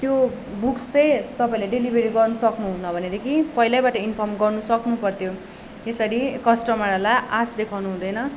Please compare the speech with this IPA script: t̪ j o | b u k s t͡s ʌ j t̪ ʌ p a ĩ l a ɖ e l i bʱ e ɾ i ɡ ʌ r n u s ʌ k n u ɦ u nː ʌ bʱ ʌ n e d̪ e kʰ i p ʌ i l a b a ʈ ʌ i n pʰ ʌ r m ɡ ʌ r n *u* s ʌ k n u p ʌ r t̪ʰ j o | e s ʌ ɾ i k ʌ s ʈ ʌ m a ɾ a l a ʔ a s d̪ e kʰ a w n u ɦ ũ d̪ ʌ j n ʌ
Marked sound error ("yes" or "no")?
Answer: no